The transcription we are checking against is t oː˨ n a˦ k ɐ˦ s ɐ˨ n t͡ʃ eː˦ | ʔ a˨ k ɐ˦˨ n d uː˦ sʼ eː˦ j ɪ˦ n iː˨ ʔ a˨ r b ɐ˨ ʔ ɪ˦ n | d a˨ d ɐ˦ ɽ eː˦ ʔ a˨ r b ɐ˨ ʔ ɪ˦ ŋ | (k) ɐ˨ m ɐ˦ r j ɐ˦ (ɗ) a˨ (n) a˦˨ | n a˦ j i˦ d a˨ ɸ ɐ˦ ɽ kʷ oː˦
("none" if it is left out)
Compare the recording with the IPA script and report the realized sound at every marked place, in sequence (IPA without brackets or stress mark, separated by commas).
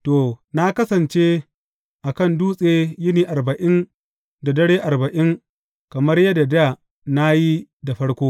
k, d, d